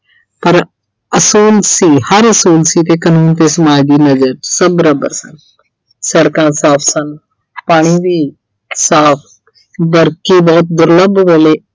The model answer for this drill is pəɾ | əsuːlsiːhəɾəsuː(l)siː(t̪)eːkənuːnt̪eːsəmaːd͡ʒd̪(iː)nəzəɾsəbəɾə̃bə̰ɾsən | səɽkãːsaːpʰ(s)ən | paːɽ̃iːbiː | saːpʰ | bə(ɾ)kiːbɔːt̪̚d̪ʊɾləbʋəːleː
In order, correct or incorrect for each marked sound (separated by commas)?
correct, correct, correct, correct, correct